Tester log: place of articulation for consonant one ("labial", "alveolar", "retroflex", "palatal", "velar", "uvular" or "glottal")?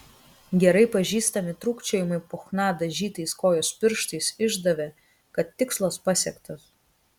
velar